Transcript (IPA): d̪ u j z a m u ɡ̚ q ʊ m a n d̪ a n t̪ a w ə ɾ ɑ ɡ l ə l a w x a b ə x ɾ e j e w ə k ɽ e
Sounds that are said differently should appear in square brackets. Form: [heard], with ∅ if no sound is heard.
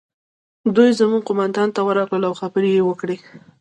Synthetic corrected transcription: d̪ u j z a m u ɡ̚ q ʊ m a n d̪ [ɑ] n t̪ a w ə ɾ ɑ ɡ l ə l a w x a b ə [∅] ɾ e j e w ə k ɽ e